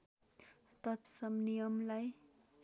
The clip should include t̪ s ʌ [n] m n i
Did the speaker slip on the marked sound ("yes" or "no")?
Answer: yes